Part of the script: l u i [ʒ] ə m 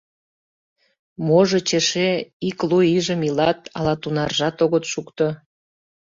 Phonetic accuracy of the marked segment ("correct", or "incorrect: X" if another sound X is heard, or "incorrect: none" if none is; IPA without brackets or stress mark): correct